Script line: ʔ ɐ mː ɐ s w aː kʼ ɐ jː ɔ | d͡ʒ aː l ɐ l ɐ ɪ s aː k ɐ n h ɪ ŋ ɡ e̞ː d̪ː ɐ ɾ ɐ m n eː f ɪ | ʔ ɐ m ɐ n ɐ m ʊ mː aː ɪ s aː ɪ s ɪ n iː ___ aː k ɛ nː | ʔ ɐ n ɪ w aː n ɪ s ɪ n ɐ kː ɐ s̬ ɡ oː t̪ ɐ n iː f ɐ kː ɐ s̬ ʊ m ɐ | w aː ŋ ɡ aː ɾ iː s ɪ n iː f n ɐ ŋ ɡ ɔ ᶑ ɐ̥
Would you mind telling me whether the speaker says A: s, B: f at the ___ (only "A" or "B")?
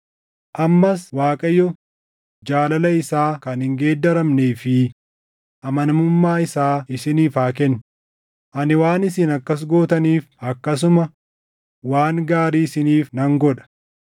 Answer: B